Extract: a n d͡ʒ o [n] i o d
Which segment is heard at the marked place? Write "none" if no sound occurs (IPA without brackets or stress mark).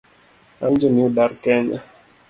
n